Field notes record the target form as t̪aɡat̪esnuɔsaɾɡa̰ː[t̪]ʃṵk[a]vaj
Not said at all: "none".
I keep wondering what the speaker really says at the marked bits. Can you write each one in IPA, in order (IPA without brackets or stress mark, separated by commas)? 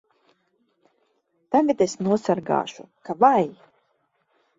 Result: none, a